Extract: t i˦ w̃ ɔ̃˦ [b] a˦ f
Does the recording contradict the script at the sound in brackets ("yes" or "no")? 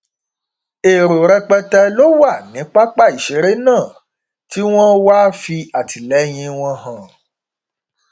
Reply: yes